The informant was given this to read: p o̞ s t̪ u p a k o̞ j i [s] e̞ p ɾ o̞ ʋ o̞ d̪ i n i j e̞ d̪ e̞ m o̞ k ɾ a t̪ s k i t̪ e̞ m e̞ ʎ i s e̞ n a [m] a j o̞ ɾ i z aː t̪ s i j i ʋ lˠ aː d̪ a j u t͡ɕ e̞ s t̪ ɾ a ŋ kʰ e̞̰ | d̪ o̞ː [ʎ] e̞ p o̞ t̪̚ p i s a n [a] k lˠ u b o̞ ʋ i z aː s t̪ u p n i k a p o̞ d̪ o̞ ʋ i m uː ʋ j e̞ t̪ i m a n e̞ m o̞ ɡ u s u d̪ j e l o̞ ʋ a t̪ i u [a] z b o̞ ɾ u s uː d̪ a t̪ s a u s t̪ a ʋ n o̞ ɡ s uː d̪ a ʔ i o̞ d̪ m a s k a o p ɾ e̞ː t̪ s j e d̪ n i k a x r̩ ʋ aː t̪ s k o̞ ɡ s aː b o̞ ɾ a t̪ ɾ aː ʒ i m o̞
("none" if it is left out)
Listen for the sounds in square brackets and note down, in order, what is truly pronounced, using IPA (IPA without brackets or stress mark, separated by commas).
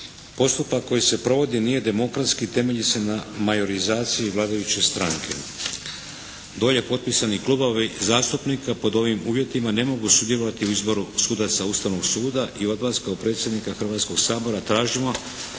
s, m, ʎ, i, i